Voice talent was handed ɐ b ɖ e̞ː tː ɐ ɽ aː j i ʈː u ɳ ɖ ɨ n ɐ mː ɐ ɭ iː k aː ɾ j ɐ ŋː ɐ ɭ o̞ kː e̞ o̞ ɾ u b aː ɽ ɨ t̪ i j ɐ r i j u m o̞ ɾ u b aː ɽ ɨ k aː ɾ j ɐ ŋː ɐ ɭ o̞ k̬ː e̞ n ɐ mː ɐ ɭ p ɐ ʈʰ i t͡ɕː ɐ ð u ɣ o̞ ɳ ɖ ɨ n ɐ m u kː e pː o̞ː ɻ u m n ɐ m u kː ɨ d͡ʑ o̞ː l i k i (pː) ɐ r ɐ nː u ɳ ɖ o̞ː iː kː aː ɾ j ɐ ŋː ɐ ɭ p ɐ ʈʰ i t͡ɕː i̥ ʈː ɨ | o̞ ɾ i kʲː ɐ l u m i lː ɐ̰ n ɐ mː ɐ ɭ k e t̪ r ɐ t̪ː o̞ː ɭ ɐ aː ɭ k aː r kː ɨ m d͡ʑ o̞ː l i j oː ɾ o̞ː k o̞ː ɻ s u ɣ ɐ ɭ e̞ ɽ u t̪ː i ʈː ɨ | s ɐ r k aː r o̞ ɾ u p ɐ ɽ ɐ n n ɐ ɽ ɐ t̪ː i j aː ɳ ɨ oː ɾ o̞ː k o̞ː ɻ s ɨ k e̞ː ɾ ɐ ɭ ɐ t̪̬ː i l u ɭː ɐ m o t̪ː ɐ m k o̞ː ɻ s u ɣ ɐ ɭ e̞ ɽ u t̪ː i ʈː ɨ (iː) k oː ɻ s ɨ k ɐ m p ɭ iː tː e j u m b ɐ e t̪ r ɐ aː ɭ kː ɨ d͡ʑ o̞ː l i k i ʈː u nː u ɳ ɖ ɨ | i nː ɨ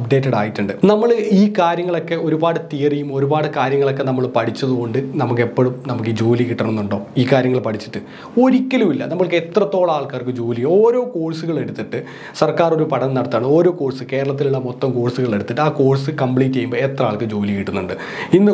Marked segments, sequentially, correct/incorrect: incorrect: ʈː, incorrect: aː

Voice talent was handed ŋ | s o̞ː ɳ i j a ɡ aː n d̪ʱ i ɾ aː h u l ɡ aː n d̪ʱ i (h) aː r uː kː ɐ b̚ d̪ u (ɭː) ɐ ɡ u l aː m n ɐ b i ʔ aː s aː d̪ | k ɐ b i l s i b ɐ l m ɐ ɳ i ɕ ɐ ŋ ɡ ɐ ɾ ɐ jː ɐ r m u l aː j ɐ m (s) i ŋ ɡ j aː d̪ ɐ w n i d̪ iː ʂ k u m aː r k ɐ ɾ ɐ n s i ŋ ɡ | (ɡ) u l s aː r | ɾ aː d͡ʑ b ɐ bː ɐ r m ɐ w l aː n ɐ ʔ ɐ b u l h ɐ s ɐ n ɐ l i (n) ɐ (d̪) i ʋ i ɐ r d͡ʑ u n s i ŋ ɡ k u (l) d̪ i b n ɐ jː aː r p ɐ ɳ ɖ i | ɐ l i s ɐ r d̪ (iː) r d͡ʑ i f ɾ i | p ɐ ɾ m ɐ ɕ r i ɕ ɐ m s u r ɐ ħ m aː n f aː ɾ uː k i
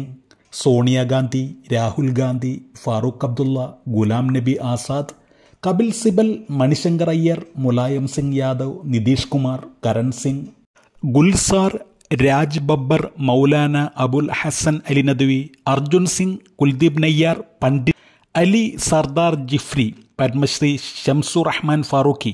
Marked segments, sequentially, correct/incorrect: incorrect: f, incorrect: lː, correct, correct, correct, correct, correct, incorrect: aː

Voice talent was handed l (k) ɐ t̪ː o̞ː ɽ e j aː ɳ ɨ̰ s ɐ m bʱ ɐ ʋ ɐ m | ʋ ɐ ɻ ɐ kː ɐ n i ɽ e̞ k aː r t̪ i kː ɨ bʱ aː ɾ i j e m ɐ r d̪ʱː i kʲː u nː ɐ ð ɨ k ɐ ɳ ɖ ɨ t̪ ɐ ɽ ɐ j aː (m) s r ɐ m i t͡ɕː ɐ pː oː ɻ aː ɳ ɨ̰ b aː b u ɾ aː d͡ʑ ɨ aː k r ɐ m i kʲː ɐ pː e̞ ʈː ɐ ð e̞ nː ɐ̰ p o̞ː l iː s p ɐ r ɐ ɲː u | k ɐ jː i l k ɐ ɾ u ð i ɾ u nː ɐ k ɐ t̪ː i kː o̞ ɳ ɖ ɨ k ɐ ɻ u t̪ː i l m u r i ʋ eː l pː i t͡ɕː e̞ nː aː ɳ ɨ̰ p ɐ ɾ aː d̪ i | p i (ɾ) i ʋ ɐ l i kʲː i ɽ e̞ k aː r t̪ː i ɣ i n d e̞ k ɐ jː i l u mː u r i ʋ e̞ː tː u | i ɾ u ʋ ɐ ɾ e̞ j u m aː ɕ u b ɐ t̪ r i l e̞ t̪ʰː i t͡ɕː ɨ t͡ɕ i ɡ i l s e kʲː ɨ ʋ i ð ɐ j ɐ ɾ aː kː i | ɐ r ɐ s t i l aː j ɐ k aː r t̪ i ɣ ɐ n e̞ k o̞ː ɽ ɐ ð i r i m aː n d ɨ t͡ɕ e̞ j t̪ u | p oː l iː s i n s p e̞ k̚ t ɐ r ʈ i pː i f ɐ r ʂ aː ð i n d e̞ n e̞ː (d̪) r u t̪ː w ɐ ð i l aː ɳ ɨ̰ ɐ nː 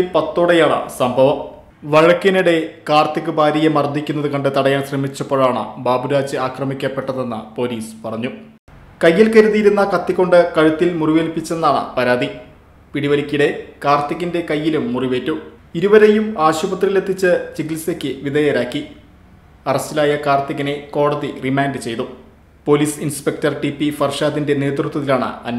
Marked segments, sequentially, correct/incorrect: incorrect: p, incorrect: n, incorrect: ɽ, incorrect: t̪

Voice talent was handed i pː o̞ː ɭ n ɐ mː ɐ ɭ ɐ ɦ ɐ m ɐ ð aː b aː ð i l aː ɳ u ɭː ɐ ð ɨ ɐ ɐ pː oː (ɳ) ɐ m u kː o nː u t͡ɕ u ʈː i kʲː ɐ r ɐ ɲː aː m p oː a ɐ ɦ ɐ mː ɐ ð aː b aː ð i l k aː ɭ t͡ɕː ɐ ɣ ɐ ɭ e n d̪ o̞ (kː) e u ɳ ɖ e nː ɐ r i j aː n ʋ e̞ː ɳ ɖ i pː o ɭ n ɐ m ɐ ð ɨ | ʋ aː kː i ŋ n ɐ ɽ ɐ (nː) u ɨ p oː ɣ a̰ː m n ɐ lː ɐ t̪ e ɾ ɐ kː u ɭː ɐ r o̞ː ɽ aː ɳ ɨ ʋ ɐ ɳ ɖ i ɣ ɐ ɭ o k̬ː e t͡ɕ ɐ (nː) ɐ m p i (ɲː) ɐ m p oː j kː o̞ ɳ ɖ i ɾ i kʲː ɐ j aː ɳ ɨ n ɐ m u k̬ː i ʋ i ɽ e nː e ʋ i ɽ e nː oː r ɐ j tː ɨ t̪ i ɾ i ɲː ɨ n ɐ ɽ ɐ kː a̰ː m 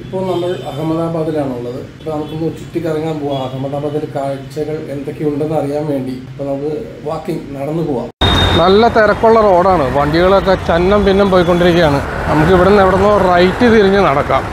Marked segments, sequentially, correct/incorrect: incorrect: n, correct, correct, correct, incorrect: nː

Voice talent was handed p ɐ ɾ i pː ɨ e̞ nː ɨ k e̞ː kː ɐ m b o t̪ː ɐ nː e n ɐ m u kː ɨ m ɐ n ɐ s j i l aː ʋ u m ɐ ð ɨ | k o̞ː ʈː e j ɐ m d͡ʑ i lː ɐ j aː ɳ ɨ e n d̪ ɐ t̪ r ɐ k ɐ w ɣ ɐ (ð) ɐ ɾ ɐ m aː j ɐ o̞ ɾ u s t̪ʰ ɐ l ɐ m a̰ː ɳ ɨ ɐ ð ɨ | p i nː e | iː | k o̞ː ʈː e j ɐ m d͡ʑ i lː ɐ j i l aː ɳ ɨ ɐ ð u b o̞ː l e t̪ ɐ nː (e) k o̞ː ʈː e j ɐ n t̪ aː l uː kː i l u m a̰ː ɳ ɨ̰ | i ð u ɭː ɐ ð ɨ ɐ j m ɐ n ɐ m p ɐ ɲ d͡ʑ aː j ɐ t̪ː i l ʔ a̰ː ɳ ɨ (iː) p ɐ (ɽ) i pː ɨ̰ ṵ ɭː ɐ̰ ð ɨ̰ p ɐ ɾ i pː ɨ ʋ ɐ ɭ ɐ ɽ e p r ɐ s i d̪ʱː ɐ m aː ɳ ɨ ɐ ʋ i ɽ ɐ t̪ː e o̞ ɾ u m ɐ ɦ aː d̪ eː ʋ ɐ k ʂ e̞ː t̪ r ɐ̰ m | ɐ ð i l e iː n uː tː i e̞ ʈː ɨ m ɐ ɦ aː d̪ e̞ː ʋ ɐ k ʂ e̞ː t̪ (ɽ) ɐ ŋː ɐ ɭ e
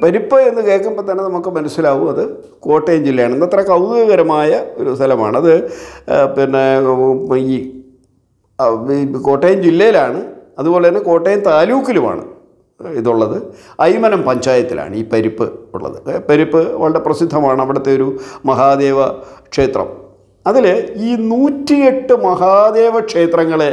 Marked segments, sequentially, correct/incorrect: incorrect: ɣ, correct, correct, incorrect: ɾ, incorrect: r

